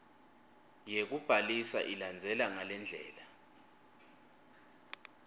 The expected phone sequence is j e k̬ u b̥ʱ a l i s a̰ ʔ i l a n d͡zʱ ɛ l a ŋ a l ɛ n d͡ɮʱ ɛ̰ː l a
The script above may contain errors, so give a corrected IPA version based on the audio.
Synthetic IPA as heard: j e k̬ u b̥ʱ a l i s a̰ ʔ i l a n d͡zʱ ɛ l a ŋ a l ɛ n d͡ɮʱ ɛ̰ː l a